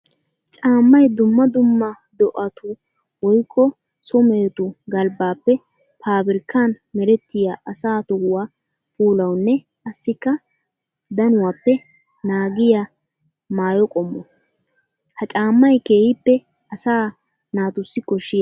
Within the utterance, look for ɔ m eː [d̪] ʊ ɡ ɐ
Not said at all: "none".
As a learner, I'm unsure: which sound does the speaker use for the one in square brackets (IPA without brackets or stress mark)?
t̪